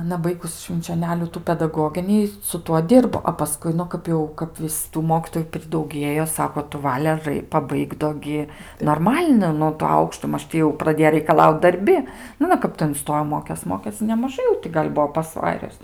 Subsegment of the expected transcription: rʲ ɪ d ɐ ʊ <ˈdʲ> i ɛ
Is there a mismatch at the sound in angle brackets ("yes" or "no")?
yes